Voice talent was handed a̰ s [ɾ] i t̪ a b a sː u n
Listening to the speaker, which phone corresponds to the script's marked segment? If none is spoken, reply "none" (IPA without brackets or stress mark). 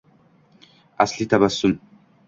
l